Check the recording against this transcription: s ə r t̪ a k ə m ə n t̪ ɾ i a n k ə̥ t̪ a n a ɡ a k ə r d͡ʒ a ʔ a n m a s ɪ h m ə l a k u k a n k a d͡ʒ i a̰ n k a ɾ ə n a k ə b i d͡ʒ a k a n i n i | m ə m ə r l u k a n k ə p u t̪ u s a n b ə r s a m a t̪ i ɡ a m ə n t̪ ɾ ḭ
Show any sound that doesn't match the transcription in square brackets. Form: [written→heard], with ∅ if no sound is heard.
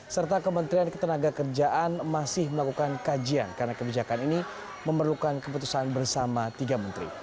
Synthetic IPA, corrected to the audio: s ə r t̪ a k ə m ə n t̪ ɾ i a n k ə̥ t̪ [a→ə] n a ɡ a k ə r d͡ʒ a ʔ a n m a s ɪ h m ə l a k u k a n k a d͡ʒ i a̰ n k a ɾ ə n a k ə b i d͡ʒ a k a n i n i | m ə m ə r l u k a n k ə p u t̪ u s a n b ə r s a m a t̪ i ɡ a m ə n t̪ ɾ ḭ